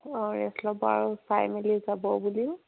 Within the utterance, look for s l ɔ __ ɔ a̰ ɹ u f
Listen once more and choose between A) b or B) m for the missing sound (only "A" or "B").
A